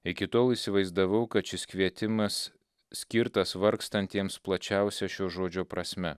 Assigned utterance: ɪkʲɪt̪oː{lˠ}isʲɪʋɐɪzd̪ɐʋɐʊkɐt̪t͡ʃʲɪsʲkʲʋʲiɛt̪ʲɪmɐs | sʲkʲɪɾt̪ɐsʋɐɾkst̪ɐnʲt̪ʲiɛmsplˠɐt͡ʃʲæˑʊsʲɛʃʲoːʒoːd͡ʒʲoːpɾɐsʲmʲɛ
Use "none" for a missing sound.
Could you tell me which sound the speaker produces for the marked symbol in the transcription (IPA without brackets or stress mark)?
lˠ